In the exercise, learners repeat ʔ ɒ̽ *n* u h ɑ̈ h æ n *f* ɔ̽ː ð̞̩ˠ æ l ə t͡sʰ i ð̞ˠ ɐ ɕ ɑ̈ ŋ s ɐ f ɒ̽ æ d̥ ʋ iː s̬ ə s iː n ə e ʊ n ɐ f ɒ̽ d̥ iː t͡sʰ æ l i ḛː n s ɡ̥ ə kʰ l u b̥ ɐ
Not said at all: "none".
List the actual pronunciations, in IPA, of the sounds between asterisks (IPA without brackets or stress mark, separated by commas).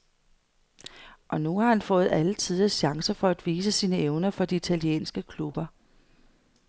n, f